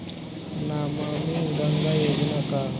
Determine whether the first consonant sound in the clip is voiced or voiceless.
voiced